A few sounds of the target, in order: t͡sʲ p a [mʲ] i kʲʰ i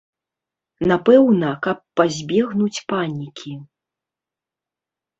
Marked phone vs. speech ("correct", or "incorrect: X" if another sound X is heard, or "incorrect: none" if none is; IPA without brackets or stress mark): incorrect: nʲ